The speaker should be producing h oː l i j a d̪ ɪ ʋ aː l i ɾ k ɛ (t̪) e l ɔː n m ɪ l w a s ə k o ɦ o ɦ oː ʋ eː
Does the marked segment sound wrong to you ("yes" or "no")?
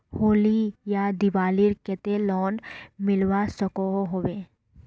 no